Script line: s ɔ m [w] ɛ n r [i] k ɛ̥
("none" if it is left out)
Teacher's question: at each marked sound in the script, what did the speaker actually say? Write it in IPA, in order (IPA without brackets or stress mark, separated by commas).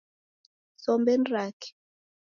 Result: b, a